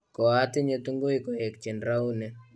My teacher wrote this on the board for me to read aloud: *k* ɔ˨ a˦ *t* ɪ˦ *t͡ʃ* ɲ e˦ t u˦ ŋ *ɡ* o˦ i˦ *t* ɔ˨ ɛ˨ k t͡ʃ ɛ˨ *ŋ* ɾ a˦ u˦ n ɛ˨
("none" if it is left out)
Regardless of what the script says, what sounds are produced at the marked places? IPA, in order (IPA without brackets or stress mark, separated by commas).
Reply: k, t, none, ɡ, k, n